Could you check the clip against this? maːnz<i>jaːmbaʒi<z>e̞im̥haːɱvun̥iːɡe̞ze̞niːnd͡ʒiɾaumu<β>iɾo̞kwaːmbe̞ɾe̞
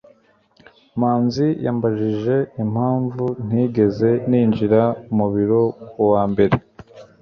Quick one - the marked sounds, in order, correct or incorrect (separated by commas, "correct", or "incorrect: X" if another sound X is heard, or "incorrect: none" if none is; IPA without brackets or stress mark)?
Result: correct, incorrect: ʒ, correct